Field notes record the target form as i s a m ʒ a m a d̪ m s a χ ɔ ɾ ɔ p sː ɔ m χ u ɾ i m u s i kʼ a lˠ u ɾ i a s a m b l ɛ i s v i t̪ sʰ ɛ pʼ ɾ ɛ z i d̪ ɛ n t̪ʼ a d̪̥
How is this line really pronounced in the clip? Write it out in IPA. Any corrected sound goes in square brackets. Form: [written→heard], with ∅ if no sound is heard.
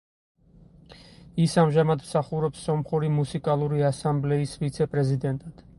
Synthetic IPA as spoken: i s a m ʒ a m a d̪ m s a χ [ɔ→u] ɾ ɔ p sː ɔ m χ u ɾ i m u s i kʼ a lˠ u ɾ i a s a m b l ɛ i s v i t̪ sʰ ɛ pʼ ɾ ɛ z i d̪ ɛ n t̪ʼ a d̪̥